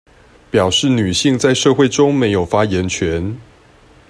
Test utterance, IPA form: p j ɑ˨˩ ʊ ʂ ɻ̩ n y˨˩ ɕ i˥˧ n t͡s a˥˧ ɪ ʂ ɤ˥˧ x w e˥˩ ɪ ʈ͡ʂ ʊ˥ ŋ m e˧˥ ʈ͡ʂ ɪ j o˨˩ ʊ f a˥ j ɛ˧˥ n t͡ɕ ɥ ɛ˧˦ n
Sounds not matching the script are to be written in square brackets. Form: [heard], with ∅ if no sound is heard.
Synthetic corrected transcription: p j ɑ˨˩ ʊ ʂ ɻ̩ n y˨˩ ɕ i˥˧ [ŋ] t͡s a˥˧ ɪ ʂ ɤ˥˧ x w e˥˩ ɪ ʈ͡ʂ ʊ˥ ŋ m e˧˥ [∅] ɪ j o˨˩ ʊ f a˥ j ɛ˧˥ n [t͡ɕʰ] ɥ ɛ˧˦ n

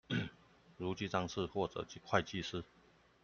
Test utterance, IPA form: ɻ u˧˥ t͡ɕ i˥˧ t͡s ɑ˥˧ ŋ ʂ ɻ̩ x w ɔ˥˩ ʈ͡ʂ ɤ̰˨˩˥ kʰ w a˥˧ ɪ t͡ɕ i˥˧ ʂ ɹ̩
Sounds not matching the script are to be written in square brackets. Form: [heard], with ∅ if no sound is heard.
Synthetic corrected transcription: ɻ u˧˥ t͡ɕ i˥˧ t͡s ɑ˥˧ ŋ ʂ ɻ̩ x w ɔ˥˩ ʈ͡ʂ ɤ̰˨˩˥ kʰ w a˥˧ ɪ t͡ɕ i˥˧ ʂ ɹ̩

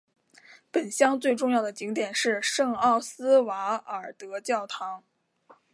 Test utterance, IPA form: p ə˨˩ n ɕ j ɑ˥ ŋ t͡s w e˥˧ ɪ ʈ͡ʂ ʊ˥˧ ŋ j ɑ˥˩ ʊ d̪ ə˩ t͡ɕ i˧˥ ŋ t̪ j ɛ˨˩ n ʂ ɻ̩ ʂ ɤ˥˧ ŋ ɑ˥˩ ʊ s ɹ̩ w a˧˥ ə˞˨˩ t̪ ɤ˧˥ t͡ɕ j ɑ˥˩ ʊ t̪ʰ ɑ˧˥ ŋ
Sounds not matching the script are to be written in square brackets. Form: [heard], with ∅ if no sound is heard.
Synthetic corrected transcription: p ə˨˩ n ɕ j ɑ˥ ŋ t͡s w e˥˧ ɪ ʈ͡ʂ ʊ˥˧ ŋ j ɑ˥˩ ʊ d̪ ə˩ t͡ɕ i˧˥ ŋ t̪ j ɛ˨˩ n ʂ ɻ̩ ʂ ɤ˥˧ ŋ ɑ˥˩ ʊ s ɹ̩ w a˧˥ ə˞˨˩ t̪ ɤ˧˥ t͡ɕ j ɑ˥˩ ʊ t̪ʰ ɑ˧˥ ŋ

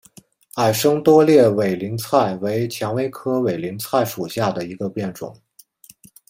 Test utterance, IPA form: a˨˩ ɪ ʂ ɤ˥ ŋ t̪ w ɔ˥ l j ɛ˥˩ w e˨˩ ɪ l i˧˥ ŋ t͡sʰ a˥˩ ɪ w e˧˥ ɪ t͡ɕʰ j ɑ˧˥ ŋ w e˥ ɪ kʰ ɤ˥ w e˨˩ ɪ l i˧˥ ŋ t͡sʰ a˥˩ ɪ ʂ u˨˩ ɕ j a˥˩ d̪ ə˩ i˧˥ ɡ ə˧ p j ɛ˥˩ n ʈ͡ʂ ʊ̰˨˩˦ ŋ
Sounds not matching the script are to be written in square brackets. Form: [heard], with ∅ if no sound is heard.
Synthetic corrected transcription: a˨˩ ɪ ʂ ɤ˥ ŋ t̪ w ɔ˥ l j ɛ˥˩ w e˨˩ ɪ l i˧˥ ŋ t͡sʰ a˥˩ ɪ w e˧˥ ɪ t͡ɕʰ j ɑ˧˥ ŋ w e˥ ɪ kʰ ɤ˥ w e˨˩ ɪ l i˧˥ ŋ t͡sʰ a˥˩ ɪ ʂ u˨˩ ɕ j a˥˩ d̪ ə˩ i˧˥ ɡ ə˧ p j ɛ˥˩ n ʈ͡ʂ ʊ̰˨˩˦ ŋ

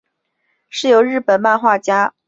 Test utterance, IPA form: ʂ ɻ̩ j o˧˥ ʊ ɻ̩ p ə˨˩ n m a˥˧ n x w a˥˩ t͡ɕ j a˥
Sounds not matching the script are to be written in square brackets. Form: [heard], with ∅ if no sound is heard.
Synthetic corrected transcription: ʂ ɻ̩ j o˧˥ ʊ ɻ̩ p ə˨˩ n m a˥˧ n x w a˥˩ t͡ɕ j a˥

